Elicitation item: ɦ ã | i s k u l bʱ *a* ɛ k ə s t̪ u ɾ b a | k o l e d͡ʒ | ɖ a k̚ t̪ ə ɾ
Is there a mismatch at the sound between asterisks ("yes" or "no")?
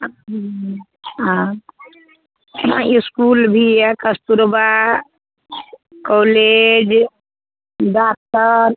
yes